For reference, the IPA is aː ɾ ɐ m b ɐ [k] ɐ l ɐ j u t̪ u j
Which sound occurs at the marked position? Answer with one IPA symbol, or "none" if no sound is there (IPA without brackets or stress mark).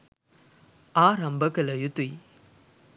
k